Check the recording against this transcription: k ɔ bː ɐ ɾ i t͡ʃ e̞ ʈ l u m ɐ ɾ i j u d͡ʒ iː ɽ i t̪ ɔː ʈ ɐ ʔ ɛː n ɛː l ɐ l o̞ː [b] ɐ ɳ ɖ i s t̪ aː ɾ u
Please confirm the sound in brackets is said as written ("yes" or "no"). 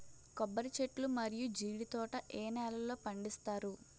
no